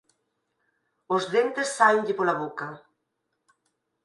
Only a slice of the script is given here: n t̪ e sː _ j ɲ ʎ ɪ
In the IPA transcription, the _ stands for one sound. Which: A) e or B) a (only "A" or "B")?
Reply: B